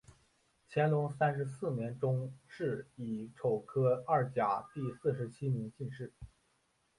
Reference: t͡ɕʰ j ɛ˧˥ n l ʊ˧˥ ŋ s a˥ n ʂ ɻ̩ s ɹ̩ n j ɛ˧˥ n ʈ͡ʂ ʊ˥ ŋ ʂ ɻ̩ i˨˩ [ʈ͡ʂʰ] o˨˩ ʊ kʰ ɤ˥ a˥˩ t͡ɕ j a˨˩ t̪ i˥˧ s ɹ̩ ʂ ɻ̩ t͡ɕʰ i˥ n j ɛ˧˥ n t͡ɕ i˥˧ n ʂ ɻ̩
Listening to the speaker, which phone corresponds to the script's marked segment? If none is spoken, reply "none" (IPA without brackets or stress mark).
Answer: ʈ͡ʂʰ